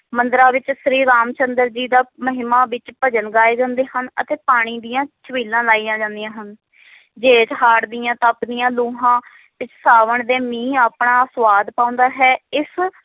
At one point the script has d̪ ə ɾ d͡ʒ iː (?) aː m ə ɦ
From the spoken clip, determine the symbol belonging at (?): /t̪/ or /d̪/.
d̪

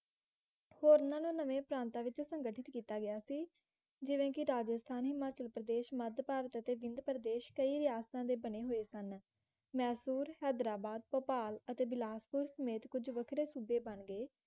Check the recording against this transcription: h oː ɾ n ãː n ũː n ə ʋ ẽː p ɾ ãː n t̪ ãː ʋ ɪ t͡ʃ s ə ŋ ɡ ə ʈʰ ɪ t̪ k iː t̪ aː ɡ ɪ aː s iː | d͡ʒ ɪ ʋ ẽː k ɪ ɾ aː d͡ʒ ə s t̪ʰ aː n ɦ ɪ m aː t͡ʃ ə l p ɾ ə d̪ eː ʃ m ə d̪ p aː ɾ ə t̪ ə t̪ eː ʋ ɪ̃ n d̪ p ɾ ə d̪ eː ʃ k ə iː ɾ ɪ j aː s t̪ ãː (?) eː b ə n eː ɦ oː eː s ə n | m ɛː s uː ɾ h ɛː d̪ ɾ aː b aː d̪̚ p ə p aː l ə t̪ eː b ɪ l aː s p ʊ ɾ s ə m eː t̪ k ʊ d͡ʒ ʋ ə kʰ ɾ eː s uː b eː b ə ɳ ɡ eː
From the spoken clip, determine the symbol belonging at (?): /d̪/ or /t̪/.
d̪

